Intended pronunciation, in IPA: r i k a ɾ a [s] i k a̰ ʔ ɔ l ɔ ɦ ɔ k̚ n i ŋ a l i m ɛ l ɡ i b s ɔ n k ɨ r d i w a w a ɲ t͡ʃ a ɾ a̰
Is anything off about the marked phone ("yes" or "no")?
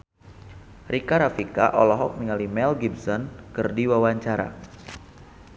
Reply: yes